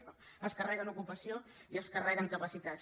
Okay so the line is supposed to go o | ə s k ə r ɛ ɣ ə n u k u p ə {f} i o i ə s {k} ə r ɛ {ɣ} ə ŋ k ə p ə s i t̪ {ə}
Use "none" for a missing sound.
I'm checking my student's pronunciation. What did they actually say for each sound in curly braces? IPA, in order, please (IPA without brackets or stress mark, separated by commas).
s, k, ɣ, a